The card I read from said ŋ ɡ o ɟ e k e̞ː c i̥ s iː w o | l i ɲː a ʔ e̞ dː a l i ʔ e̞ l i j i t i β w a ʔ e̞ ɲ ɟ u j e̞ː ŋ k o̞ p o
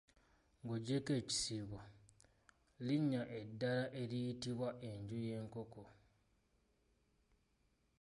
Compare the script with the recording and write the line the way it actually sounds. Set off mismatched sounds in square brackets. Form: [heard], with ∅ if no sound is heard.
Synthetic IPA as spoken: ŋ ɡ o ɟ e k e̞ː c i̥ s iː [β] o | l i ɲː a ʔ e̞ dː a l [a] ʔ e̞ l i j i t i β w a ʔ e̞ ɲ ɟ u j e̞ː ŋ k o̞ [k] o